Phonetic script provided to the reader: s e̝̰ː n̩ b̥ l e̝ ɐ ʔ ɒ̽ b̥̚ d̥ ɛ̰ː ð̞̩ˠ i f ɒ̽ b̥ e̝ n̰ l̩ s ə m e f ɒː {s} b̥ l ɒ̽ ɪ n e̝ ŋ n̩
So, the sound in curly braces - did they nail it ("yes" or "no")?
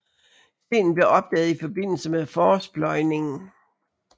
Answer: yes